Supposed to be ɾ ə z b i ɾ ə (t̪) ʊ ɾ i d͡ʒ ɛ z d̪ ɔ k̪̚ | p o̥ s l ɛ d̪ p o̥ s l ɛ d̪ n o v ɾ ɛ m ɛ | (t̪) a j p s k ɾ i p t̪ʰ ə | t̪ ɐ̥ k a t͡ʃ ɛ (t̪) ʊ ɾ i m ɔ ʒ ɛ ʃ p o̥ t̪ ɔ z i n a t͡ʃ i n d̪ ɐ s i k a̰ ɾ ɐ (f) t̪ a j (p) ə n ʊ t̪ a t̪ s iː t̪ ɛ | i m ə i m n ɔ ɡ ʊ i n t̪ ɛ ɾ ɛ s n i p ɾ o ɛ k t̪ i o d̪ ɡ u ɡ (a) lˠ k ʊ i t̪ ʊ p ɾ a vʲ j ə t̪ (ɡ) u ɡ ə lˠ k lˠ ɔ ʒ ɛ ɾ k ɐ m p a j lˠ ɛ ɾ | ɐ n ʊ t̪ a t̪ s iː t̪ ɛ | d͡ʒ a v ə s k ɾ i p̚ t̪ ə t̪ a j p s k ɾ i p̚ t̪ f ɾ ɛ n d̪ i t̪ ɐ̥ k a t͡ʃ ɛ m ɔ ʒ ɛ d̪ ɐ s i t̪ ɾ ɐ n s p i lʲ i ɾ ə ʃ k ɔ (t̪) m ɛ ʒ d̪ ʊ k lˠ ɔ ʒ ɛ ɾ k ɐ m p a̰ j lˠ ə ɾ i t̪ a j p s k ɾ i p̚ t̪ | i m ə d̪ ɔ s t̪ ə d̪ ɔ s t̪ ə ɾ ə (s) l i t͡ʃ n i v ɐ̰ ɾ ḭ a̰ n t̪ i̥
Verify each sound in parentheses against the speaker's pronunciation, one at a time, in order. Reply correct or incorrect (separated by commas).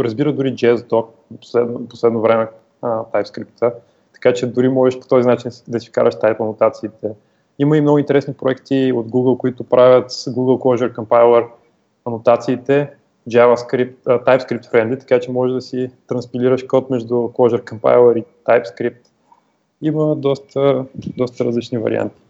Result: incorrect, correct, incorrect, incorrect, correct, incorrect, correct, correct, incorrect